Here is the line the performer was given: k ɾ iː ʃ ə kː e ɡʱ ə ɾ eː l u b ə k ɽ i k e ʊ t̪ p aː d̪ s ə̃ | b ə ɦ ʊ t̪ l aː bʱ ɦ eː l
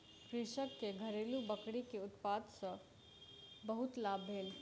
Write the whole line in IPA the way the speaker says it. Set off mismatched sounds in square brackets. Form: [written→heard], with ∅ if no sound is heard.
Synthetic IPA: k ɾ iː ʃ ə kː e ɡʱ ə ɾ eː l u b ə k ɽ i k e ʊ t̪ p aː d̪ s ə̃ | b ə ɦ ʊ t̪ l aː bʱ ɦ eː l